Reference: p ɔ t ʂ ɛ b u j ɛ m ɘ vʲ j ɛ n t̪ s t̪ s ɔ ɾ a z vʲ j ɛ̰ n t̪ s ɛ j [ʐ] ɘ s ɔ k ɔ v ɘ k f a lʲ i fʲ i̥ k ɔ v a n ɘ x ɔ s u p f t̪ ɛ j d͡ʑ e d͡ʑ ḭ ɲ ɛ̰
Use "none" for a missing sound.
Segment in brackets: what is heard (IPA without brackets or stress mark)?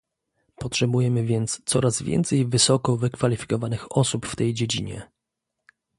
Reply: v